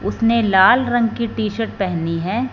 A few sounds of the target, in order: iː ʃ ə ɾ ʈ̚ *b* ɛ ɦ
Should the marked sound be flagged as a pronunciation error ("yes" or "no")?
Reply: yes